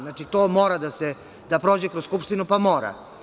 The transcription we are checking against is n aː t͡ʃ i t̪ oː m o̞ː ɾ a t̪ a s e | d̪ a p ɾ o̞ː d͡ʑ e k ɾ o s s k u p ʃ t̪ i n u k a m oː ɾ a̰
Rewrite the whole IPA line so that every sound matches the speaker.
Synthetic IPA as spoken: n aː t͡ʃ i t̪ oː m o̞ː ɾ a d̪ a s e | d̪ a p ɾ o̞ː d͡ʑ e k ɾ o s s k u p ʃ t̪ i n u p a m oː ɾ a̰